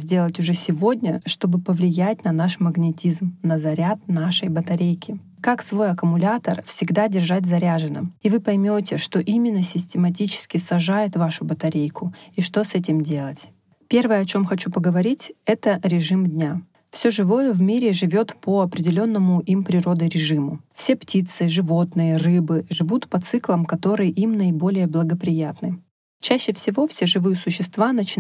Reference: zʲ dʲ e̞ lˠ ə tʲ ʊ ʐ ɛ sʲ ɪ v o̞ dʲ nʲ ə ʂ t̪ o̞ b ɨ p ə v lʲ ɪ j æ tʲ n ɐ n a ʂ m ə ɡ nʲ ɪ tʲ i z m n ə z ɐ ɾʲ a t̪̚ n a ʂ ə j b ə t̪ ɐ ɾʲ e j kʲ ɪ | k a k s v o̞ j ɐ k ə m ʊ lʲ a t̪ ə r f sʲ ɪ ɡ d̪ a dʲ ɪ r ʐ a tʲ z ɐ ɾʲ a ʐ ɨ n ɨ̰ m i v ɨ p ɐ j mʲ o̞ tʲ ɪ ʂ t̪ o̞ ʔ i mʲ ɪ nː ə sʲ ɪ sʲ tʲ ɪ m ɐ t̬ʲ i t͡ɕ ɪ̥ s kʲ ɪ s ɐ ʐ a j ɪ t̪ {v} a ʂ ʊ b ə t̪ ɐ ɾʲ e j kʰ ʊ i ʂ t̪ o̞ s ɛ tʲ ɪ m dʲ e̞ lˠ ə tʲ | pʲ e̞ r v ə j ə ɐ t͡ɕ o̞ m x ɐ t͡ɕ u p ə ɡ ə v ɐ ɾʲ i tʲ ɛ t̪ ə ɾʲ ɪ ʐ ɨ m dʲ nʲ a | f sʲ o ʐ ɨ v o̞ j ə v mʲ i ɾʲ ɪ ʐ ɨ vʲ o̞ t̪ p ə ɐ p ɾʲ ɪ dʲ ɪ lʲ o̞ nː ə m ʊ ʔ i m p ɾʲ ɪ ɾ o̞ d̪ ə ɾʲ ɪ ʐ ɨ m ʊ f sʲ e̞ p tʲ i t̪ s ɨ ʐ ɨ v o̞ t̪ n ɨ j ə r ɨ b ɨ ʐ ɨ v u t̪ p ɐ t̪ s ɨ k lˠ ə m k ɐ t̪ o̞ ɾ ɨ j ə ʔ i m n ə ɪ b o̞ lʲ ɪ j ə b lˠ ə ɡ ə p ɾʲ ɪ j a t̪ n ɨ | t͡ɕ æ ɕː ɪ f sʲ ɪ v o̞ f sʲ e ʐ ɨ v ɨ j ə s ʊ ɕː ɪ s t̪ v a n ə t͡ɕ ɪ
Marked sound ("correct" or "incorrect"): correct